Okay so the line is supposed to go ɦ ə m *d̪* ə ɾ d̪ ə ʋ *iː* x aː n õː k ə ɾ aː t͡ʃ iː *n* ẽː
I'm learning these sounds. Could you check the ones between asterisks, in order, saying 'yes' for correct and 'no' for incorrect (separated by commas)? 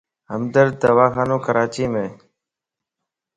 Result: yes, no, no